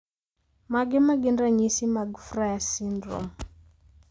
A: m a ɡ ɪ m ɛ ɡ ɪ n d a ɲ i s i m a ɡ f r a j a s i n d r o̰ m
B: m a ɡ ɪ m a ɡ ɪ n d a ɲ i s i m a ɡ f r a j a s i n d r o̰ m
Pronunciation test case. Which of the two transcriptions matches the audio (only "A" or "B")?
B